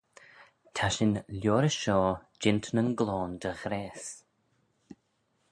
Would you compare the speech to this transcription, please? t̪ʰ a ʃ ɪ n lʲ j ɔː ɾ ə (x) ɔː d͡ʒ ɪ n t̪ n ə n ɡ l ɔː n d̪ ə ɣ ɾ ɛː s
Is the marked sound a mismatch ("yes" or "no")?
yes